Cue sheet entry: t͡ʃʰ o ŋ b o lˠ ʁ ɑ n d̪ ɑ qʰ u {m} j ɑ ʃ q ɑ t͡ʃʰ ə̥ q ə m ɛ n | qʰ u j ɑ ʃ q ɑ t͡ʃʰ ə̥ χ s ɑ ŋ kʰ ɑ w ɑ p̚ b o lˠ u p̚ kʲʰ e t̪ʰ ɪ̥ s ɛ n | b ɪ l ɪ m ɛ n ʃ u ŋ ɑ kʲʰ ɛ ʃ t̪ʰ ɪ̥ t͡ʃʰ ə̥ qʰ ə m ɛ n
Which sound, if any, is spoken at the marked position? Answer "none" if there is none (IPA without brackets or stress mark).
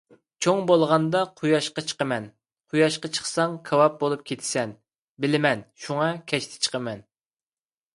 none